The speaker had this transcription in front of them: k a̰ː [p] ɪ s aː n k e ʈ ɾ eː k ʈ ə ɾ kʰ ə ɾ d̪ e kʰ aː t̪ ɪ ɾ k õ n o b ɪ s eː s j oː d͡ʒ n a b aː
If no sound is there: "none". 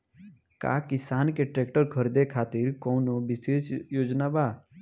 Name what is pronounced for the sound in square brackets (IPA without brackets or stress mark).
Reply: k